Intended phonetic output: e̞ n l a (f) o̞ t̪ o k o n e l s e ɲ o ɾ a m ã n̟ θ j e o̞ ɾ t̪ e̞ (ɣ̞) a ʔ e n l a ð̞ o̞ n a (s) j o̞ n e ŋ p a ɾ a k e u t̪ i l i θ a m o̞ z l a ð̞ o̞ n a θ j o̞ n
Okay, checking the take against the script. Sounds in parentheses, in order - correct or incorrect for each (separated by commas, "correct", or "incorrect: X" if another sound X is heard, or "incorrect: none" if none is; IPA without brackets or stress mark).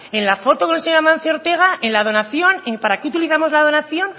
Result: correct, correct, incorrect: θ